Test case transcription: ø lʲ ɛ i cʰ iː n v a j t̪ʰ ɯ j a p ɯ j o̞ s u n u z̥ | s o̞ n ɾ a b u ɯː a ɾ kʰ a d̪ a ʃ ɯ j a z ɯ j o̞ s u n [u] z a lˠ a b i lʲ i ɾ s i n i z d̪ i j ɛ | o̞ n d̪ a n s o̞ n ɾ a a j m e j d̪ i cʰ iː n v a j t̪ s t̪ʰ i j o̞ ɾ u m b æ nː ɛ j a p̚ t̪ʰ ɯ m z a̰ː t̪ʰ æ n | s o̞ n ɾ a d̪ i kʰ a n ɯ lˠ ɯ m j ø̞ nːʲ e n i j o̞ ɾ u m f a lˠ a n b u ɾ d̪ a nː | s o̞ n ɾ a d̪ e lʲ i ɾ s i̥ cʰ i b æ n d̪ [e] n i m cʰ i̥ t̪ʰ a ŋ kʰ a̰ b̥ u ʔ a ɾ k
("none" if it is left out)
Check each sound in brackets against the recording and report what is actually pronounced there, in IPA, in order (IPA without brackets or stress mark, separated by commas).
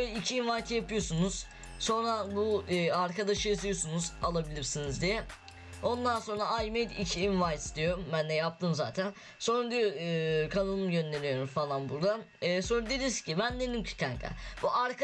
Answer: u, e